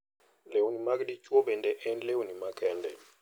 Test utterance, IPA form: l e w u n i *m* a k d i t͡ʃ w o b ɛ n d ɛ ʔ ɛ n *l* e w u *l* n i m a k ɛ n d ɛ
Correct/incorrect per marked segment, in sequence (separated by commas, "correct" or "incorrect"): correct, correct, incorrect